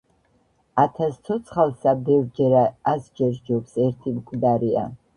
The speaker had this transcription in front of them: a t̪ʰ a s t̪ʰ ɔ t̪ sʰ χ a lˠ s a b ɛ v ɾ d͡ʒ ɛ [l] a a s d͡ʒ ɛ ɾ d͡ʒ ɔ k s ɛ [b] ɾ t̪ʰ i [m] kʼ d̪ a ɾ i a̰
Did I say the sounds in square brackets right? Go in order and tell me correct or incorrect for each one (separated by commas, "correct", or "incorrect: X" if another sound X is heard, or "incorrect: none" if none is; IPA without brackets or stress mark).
incorrect: ɾ, incorrect: none, correct